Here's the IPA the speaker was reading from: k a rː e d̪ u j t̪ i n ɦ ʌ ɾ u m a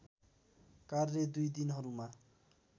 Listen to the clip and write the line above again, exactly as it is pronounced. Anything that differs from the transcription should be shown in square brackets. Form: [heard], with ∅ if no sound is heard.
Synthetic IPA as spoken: k a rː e d̪ u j [d̪] i n ɦ ʌ ɾ u m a